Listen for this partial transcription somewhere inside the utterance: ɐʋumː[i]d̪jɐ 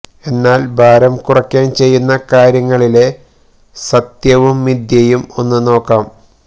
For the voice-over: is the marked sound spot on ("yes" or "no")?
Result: yes